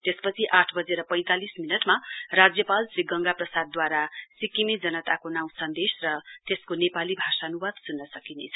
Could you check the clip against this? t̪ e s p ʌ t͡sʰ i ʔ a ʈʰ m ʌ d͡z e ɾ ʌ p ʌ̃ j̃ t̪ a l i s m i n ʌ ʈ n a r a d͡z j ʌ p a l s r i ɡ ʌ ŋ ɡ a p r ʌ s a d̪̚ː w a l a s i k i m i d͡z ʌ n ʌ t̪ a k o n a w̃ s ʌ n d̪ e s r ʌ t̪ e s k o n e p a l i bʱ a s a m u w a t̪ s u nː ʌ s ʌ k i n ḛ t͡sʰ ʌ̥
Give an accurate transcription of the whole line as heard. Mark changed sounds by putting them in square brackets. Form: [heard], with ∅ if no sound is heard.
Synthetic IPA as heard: t̪ e s p ʌ t͡sʰ i ʔ a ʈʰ [b] ʌ d͡z e ɾ ʌ p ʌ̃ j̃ t̪ a l i s m i n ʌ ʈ [m] a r a d͡z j ʌ p a l s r i ɡ ʌ ŋ ɡ a p r ʌ s a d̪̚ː w a [ɾ] a s i k i m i d͡z ʌ n ʌ t̪ a k o n a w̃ s ʌ n d̪ e s r ʌ t̪ e s k o n e p a l i bʱ a s a [n] u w a [d̪] s u nː ʌ s ʌ k i n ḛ t͡sʰ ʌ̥